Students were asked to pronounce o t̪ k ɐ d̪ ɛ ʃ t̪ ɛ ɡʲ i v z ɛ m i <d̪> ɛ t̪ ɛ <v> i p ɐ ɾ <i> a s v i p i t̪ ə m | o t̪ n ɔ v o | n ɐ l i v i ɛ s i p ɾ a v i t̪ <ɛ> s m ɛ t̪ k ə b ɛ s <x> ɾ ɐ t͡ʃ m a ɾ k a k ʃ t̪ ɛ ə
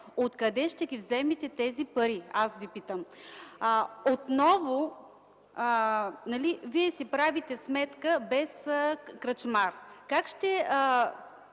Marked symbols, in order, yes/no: no, no, yes, yes, no

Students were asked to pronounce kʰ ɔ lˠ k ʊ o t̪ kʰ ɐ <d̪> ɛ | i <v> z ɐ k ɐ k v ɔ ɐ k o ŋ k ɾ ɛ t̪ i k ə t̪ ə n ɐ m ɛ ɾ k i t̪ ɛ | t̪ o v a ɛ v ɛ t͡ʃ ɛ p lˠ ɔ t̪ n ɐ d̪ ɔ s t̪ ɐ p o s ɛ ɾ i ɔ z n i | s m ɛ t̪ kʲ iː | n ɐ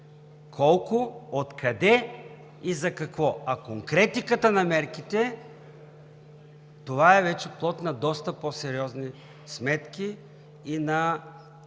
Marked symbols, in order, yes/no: yes, no

